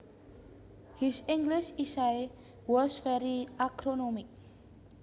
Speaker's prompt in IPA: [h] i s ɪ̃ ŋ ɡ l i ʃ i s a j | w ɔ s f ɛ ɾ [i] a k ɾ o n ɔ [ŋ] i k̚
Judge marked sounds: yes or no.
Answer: yes, yes, no

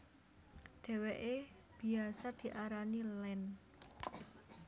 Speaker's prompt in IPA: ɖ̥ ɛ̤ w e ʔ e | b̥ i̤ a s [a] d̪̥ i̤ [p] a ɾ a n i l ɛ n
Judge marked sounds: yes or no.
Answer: yes, no

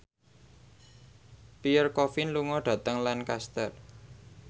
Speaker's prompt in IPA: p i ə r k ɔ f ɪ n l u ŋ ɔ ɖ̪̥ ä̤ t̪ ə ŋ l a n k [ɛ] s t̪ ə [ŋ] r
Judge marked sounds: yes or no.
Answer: no, no

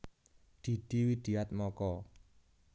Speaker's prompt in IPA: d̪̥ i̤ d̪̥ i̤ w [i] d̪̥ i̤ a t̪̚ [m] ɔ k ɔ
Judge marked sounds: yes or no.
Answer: yes, yes

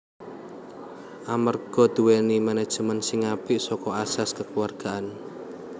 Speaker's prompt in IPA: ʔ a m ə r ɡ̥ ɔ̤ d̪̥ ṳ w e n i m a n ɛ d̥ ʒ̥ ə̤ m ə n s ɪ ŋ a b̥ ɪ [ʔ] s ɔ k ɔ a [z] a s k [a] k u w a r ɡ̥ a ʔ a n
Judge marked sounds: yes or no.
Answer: yes, no, no

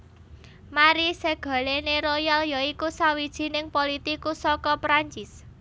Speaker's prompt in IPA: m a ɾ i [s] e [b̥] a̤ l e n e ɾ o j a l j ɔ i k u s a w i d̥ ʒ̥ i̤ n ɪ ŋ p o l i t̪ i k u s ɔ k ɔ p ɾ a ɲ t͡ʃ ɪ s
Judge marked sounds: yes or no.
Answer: yes, no

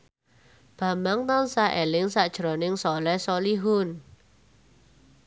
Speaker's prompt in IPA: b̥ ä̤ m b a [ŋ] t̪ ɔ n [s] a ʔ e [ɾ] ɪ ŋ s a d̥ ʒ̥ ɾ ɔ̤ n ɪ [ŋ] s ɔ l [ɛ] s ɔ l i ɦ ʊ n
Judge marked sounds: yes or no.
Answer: yes, yes, no, yes, yes

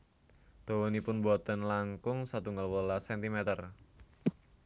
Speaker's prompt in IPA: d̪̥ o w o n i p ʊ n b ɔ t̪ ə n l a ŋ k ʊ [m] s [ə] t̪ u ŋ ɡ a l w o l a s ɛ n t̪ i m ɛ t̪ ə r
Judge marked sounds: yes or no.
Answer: no, no

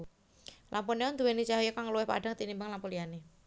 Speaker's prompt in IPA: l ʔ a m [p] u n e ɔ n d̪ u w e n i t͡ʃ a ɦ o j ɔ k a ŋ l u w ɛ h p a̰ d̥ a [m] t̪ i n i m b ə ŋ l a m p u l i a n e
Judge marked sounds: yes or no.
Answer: yes, no

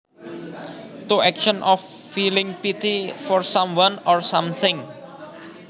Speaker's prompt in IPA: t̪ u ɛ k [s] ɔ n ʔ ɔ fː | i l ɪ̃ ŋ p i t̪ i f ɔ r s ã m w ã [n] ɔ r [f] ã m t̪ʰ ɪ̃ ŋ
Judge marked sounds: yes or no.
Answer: no, yes, no

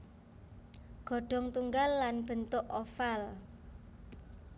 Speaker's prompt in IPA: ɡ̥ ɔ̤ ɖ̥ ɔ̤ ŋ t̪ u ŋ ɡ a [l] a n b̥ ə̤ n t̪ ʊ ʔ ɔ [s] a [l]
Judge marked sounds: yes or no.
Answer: no, no, yes

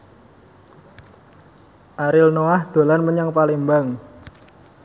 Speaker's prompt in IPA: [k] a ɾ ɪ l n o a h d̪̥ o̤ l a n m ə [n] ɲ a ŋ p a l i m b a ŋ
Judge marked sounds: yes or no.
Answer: no, no

